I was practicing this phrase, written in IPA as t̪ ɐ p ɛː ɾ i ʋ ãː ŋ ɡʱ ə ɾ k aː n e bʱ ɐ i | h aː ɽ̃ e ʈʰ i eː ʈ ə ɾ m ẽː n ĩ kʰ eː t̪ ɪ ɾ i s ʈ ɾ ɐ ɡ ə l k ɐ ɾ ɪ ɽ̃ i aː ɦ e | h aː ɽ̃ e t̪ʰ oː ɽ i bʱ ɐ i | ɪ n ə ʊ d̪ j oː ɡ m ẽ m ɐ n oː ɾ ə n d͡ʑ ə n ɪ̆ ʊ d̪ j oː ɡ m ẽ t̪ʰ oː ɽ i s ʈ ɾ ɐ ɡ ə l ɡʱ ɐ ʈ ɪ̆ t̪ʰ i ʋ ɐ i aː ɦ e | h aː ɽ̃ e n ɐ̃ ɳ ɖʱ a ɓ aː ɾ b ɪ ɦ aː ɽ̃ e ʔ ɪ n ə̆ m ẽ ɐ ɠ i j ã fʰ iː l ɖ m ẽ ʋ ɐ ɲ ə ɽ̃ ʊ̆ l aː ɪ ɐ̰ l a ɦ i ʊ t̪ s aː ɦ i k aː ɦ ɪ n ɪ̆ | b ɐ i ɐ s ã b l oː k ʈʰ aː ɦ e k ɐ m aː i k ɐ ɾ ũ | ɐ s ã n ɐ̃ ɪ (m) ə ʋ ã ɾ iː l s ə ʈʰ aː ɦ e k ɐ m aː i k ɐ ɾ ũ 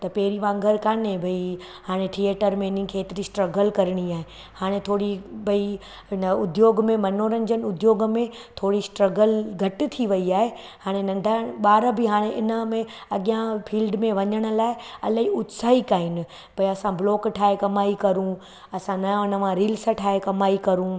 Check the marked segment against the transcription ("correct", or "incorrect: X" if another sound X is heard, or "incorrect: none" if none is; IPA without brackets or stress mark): incorrect: n